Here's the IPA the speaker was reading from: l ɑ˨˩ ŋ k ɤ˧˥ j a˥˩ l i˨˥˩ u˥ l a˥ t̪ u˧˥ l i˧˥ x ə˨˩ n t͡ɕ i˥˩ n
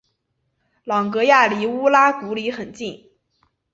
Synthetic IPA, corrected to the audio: l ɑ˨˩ ŋ k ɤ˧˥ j a˥˩ l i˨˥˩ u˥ l a˥ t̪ u˧˥ l i˧˥ x ə˨˩ n t͡ɕ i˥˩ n